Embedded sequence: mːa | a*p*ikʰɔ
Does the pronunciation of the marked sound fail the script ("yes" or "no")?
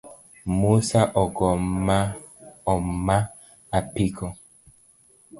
no